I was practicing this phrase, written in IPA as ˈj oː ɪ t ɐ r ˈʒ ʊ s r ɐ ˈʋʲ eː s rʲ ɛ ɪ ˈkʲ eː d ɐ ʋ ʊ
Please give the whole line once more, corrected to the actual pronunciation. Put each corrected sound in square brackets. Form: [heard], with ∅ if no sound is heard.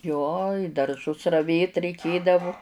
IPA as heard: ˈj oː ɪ [d] ɐ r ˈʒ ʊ s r ɐ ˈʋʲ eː [t] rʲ ɛ ɪ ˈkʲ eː d ɐ ʋ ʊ